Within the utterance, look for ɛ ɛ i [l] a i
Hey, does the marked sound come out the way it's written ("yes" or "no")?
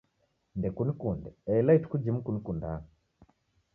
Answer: yes